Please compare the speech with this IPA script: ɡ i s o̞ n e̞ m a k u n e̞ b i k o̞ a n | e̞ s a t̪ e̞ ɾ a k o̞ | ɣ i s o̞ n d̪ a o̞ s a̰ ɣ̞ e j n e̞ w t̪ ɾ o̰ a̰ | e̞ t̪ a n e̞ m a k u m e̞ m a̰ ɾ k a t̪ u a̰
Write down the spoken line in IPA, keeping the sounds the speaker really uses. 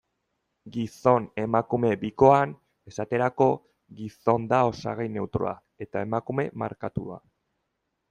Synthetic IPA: ɡ i s o̞ n e̞ m a k u m e̞ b i k o̞ a n | e̞ s a t̪ e̞ ɾ a k o̞ | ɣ i s o̞ n d̪ a o̞ s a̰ ɣ̞ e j n e̞ w t̪ ɾ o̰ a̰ | e̞ t̪ a e̞ m a k u m e̞ m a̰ ɾ k a t̪ u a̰